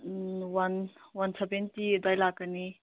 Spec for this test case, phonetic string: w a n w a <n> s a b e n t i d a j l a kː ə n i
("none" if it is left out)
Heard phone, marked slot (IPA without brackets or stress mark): n